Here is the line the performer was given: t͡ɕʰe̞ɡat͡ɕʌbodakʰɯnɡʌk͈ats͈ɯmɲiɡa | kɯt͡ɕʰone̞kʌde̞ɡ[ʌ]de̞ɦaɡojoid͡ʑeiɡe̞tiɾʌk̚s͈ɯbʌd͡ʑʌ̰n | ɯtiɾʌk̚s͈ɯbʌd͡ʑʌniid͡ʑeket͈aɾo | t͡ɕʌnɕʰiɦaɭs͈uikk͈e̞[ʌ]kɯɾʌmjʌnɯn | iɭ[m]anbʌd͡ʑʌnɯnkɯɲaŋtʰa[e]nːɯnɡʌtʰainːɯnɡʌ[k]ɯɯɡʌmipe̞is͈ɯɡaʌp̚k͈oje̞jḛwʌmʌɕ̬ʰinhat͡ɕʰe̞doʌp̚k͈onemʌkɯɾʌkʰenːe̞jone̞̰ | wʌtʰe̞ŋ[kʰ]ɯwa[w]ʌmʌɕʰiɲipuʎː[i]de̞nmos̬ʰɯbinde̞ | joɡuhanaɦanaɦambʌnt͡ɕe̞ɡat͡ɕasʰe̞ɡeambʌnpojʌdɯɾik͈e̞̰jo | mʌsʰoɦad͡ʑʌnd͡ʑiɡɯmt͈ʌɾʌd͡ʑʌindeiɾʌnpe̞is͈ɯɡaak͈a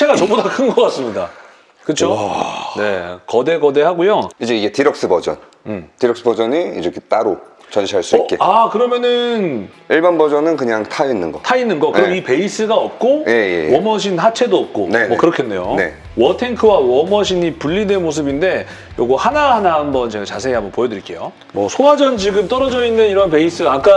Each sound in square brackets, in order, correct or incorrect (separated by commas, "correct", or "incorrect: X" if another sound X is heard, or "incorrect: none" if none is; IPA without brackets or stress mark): correct, incorrect: a, incorrect: b, incorrect: i, correct, correct, correct, correct